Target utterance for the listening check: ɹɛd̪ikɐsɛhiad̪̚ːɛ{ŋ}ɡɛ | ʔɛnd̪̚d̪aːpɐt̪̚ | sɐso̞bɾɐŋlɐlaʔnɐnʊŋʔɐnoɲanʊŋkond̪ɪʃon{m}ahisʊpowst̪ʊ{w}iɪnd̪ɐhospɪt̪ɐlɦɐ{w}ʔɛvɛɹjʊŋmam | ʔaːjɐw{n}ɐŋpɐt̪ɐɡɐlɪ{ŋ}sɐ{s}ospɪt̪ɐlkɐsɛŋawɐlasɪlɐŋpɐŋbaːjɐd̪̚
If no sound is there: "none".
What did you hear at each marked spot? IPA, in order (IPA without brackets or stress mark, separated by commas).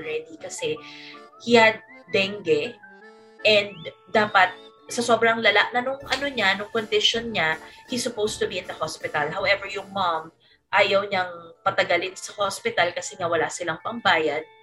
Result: ŋ, ɲ, b, w, ɲ, n, h